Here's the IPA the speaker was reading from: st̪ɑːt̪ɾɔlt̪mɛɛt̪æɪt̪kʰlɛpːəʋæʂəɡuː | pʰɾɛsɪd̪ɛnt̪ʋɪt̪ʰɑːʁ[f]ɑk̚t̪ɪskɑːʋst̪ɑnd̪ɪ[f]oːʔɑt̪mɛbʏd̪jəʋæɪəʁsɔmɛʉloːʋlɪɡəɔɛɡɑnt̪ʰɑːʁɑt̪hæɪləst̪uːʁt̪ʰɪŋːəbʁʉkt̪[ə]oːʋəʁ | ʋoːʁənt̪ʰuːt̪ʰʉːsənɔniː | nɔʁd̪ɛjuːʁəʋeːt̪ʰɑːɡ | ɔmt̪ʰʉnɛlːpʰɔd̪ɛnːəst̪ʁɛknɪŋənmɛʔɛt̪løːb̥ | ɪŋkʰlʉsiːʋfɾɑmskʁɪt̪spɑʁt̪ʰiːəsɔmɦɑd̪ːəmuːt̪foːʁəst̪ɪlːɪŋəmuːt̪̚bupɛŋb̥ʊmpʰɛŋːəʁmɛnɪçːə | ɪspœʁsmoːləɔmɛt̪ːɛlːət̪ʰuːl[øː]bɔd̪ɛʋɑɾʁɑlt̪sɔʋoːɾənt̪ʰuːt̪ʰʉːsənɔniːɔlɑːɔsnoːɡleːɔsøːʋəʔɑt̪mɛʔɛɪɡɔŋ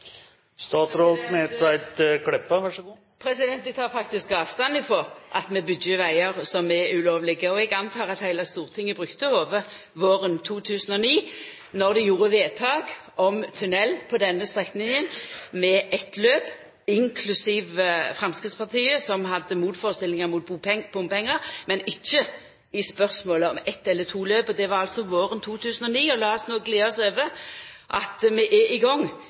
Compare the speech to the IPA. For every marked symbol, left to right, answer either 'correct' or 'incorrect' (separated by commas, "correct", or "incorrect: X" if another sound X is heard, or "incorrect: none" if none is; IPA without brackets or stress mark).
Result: correct, correct, correct, correct